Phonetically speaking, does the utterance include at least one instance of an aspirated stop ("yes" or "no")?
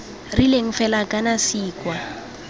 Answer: no